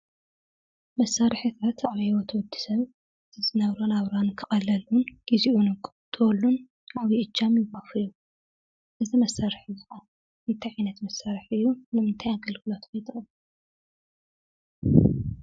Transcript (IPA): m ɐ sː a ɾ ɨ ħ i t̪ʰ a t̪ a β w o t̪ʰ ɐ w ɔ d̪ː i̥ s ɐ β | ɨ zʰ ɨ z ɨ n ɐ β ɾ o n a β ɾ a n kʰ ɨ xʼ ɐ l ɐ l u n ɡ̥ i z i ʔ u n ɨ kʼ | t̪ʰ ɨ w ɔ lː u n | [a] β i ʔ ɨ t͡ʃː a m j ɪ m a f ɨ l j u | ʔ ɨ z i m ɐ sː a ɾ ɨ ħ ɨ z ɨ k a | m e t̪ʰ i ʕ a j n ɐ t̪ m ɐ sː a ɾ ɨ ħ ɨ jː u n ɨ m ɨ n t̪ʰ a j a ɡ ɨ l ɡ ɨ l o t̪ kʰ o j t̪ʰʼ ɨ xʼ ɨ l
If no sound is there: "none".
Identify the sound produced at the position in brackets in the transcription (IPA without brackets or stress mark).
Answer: a